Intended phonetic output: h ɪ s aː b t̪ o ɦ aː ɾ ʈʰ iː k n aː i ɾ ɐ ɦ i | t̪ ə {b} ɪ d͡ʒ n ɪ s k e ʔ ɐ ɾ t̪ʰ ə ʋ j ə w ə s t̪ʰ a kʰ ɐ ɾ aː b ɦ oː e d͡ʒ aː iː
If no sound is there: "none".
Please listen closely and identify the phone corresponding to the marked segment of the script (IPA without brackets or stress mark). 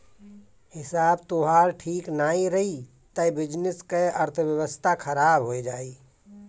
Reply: b